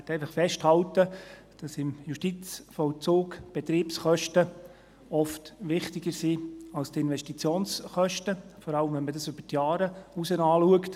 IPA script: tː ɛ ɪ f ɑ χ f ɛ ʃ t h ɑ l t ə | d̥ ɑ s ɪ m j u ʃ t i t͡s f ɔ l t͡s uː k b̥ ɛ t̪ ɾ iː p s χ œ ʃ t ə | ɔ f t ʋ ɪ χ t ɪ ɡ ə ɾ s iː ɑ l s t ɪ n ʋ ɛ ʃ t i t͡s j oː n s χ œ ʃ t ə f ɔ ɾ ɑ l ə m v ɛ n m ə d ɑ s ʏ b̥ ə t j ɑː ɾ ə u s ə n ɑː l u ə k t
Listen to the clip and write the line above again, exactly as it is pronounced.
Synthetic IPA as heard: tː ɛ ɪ f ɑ χ f ɛ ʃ t h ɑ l t ə | d̥ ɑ s ɪ m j u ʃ t i t͡s f ɔ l t͡s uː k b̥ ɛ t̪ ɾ iː p s χ œ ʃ t ə | ɔ f t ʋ ɪ χ t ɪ ɡ ə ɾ s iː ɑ l s t ɪ n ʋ ɛ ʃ t i t͡s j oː n s χ œ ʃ t ə f ɔ ɾ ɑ l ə m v ɛ n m ə d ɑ s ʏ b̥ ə t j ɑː ɾ ə u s ə n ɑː l u ə k t